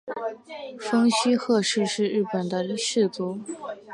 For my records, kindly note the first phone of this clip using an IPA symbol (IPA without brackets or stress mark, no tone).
f